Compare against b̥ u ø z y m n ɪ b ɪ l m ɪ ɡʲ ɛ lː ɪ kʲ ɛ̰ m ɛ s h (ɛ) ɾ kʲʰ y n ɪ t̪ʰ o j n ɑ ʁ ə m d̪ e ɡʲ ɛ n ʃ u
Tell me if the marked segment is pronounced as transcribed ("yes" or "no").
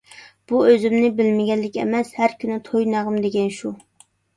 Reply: no